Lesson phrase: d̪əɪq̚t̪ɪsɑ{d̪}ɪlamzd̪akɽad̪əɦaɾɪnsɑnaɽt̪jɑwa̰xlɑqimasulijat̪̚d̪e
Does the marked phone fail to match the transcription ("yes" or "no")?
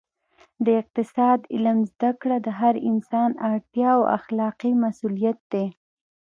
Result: no